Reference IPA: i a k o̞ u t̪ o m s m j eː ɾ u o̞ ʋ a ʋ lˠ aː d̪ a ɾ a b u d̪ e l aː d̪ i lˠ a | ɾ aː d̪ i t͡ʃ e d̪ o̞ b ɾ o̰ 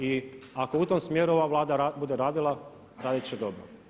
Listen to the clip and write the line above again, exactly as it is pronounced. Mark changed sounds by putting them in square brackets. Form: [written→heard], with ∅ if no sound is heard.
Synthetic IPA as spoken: i a k o̞ u t̪ o m s m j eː ɾ u o̞ ʋ a ʋ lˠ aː d̪ a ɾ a b u d̪ e [l→ɾ] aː d̪ i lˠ a | ɾ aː d̪ i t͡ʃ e d̪ o̞ b ɾ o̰

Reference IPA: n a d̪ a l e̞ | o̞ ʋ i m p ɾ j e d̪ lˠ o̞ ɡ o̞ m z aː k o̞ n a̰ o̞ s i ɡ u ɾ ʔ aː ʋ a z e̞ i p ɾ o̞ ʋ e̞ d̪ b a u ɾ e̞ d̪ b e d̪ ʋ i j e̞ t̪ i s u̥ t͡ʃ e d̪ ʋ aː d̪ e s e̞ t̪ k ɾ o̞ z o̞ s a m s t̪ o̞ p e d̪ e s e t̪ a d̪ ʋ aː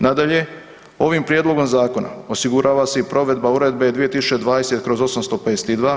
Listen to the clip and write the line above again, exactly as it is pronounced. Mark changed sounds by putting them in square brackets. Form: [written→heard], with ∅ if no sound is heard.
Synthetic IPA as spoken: n a d̪ a [l→ʎ] e̞ | o̞ ʋ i m p ɾ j e d̪ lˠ o̞ ɡ o̞ m z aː k o̞ n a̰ o̞ s i ɡ u ɾ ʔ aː ʋ a [z→s] e̞ i p ɾ o̞ ʋ e̞ d̪ b a u ɾ e̞ d̪ b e d̪ ʋ i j e̞ t̪ i s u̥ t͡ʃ e d̪ ʋ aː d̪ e s e̞ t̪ k ɾ o̞ z o̞ s a m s t̪ o̞ p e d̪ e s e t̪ [a→i] d̪ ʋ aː

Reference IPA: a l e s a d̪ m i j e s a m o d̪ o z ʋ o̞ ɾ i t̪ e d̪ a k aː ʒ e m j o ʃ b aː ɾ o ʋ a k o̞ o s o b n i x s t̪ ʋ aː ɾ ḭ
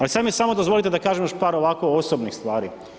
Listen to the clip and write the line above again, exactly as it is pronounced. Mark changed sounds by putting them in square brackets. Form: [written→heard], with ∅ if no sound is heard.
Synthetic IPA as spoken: a l [e→i] s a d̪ m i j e s a m o d̪ o z ʋ o̞ [ɾ→l] i t̪ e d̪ a k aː ʒ e m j o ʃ [b→p] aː ɾ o ʋ a k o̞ o s o b n i x s t̪ ʋ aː ɾ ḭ

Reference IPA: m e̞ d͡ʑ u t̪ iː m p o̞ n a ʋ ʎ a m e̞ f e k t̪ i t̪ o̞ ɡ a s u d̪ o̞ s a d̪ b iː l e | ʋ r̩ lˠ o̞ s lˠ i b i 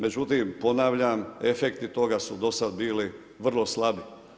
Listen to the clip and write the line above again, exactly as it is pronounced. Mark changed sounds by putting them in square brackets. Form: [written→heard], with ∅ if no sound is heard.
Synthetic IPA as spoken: m e̞ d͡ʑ u t̪ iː m p o̞ n a ʋ ʎ a m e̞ f e k t̪ i t̪ o̞ ɡ a s u d̪ o̞ s a d̪ b iː l [e→i] | ʋ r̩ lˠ o̞ s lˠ [i→a] b i

